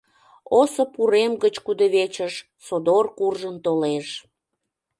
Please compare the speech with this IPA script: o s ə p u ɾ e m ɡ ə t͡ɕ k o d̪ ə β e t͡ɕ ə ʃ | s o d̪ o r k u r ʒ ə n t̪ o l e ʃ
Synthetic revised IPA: o s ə p u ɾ e m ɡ ə t͡ɕ k u d̪ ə β e t͡ɕ ə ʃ | s o d̪ o r k u r ʒ ə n t̪ o l e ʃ